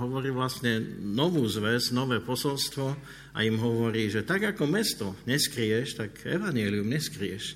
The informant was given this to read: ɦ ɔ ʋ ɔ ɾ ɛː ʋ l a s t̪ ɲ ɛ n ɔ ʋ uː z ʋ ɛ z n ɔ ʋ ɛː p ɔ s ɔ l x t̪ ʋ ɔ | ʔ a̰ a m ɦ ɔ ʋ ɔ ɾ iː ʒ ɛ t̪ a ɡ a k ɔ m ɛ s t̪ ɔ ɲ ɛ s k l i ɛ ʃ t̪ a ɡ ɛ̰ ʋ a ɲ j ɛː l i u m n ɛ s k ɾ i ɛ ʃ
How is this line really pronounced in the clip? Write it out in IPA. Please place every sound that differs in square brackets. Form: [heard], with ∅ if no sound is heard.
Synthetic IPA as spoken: ɦ ɔ ʋ ɔ ɾ [iː] ʋ l a s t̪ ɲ ɛ n ɔ ʋ uː z ʋ ɛ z n ɔ ʋ ɛː p ɔ s ɔ l [s] t̪ ʋ ɔ | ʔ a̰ [i] m ɦ ɔ ʋ ɔ ɾ iː ʒ ɛ t̪ a ɡ a k ɔ m ɛ s t̪ ɔ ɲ ɛ s k [ɾ] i ɛ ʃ t̪ a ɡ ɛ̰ ʋ a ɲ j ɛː l i u m [ɲ] ɛ s k ɾ i ɛ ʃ